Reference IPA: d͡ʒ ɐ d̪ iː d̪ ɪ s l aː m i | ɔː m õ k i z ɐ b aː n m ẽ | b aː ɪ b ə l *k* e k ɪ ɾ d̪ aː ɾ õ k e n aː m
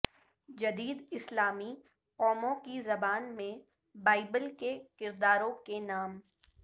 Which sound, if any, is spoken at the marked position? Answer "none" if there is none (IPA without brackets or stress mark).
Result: k